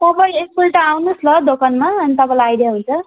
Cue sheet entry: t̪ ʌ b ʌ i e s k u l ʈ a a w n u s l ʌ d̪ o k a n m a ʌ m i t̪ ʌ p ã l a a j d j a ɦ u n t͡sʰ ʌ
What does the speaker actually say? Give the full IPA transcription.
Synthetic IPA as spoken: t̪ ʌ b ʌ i e s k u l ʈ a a w n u s l ʌ d̪ o k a n m a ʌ n i t̪ ʌ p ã l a a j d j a ɦ u n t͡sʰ ʌ